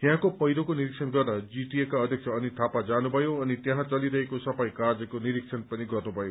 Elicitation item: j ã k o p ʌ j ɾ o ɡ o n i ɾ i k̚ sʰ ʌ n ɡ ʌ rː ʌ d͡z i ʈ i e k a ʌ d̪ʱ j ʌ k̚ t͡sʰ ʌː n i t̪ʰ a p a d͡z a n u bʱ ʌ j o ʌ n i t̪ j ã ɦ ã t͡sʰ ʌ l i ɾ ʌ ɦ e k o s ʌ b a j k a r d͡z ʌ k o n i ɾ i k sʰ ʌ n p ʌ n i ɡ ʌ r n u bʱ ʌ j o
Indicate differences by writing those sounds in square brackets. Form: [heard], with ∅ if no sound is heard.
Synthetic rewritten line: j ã k o p ʌ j ɾ o [k] o n i ɾ i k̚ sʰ ʌ n ɡ ʌ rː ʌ d͡z i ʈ i e k a ʌ d̪ʱ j ʌ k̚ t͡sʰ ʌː n i t̪ʰ a p a d͡z a n u bʱ ʌ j o ʌ n i t̪ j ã ɦ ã [t͡s] ʌ l i ɾ ʌ ɦ e k o s ʌ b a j k a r d͡z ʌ k o n i ɾ i k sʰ ʌ n p ʌ n i ɡ ʌ r n u bʱ ʌ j o